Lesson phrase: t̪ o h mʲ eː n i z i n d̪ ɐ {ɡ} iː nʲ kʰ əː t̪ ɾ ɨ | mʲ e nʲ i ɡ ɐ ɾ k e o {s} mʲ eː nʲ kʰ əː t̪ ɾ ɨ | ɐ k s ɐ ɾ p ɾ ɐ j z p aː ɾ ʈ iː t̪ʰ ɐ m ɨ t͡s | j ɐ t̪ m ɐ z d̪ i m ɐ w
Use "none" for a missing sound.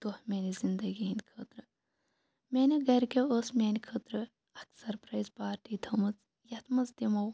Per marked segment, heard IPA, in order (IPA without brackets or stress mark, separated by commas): ɡ, s